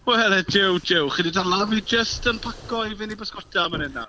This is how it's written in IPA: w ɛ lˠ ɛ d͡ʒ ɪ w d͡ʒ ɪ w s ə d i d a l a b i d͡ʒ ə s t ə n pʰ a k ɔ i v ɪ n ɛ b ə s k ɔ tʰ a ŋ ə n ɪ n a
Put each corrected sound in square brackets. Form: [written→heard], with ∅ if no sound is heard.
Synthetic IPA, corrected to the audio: w ɛ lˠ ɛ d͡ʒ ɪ w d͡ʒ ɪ w [s→χ] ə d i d a l a [b→v] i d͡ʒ ə s t ə n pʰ a k ɔ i v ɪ n [ɛ→i] b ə s k ɔ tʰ a [ŋ→m] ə n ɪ n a